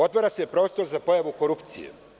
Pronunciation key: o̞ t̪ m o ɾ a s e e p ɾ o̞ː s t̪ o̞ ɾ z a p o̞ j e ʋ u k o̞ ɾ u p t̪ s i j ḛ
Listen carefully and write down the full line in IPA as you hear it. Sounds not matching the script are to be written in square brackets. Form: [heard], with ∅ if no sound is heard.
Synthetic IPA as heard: o̞ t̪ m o ɾ a s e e p ɾ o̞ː s t̪ o̞ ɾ z a p o̞ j [a] ʋ u k o̞ ɾ u p t̪ s i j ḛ